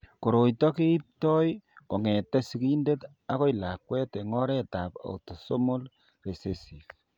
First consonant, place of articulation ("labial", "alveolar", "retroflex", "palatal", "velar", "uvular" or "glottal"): velar